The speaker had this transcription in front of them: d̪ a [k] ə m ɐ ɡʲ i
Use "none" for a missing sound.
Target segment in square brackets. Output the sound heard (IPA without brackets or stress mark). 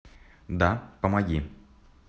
p